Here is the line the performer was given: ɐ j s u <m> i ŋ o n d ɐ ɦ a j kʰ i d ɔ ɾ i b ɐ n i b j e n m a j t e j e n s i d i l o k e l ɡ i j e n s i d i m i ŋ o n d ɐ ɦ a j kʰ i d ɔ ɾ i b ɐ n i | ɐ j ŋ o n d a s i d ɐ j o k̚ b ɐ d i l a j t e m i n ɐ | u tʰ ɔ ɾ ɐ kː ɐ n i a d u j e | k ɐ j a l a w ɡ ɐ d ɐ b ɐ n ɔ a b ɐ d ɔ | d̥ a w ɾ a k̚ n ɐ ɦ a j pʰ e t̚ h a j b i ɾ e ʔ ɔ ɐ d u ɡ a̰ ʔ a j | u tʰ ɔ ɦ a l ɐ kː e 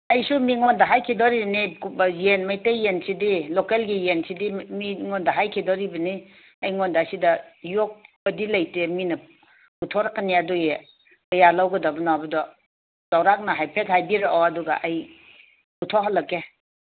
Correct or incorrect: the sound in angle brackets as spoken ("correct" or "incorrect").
correct